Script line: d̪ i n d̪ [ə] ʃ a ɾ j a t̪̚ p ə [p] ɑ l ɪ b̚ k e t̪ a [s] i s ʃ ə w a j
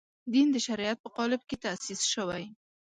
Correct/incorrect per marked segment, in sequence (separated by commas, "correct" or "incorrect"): correct, incorrect, correct